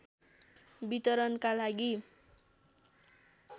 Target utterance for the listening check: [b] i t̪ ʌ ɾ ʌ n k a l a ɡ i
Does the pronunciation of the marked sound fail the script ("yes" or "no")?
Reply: no